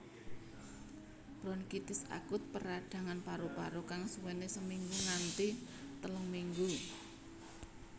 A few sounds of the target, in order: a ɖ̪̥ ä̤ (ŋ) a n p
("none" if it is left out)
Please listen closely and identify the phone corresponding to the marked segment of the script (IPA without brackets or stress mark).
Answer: ŋ